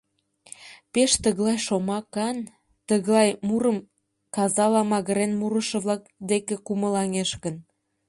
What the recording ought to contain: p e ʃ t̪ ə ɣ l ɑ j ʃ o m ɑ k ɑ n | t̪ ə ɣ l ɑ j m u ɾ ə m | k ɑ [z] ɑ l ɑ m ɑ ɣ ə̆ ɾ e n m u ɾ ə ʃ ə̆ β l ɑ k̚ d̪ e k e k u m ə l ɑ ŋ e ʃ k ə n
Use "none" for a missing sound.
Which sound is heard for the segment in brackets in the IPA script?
z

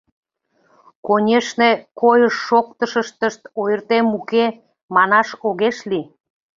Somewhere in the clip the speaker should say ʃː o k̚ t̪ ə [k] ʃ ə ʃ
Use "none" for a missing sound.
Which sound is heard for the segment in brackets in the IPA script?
none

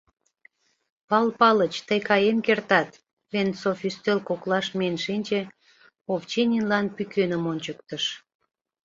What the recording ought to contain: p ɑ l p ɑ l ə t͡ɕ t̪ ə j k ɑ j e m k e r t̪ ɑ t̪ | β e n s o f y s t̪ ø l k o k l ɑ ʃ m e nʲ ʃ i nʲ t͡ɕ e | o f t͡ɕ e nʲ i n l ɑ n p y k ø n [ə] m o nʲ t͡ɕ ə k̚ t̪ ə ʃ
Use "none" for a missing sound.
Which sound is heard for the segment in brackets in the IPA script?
ə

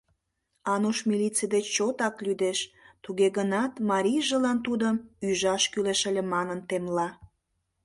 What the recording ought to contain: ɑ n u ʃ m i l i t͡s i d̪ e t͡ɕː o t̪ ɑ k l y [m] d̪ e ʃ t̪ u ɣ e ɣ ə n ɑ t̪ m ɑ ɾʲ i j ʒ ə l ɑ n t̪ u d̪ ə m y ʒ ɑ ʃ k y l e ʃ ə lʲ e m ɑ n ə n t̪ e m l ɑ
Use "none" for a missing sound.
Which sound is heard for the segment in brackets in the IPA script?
none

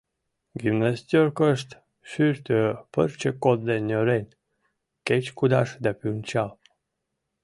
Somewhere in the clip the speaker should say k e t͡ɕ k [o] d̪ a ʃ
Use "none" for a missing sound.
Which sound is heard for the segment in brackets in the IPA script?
u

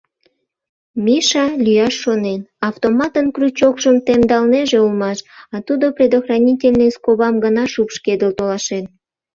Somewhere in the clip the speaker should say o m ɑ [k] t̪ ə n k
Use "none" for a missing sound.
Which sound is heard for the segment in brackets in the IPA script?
none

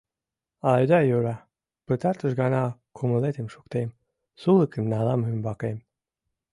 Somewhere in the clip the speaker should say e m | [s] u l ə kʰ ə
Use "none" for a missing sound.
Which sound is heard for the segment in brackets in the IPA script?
s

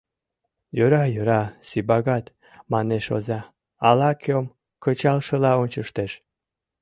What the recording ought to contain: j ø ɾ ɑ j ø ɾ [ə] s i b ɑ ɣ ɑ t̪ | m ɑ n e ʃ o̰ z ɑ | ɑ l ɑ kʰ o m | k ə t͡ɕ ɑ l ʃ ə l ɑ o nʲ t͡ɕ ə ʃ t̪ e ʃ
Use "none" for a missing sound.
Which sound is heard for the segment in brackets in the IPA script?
ɑ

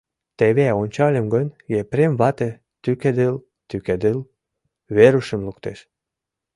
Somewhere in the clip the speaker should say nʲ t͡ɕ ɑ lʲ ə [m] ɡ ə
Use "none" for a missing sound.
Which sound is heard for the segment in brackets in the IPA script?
m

